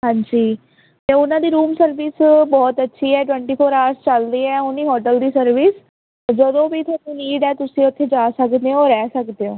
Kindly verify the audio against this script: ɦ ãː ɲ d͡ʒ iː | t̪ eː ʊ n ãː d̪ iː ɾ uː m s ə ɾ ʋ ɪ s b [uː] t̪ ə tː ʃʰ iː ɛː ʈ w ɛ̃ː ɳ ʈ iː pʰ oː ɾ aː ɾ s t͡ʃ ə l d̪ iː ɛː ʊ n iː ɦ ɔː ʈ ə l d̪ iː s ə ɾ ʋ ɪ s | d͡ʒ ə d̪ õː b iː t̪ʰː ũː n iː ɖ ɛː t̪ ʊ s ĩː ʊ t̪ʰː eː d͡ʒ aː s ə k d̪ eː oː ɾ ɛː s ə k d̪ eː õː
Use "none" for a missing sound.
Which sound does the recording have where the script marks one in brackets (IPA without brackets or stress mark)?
ɔː